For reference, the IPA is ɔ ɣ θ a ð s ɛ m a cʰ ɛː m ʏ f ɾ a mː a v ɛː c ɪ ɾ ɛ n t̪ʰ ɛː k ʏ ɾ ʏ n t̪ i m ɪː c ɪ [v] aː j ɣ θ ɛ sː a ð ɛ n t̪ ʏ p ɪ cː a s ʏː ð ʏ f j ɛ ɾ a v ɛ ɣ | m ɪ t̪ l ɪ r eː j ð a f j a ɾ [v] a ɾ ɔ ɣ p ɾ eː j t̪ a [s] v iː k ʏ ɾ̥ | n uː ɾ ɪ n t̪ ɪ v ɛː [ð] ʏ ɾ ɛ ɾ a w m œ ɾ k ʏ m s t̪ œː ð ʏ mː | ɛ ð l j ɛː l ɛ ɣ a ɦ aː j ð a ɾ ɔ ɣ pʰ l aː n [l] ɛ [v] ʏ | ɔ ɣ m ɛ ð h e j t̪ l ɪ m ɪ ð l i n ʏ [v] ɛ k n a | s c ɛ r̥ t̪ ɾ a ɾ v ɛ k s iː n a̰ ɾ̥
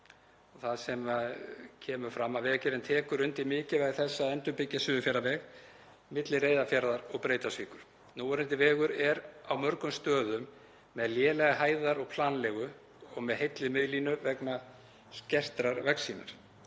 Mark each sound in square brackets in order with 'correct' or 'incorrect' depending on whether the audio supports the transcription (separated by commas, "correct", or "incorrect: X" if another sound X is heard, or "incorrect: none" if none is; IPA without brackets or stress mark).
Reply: correct, incorrect: ð, correct, incorrect: ɣ, correct, incorrect: ɣ, correct